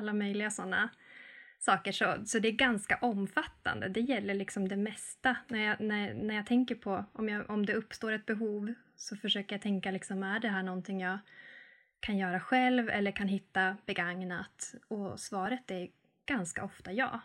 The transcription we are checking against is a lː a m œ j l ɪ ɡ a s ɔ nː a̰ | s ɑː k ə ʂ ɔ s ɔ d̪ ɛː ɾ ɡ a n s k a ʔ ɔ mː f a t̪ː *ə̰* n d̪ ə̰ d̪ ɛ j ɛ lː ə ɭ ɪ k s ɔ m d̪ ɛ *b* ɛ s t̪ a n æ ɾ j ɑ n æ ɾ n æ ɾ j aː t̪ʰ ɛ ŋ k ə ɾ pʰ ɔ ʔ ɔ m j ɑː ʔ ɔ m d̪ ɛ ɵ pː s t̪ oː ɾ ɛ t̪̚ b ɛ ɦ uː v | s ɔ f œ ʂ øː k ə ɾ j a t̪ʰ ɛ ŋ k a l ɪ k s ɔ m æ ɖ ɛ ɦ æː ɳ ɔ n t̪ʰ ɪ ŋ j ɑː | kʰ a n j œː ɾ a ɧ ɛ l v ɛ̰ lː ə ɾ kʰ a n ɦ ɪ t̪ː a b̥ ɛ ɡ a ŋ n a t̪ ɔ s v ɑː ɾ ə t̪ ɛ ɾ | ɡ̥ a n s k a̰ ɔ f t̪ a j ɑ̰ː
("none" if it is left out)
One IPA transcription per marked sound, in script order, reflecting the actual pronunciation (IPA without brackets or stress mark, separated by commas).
a̰, m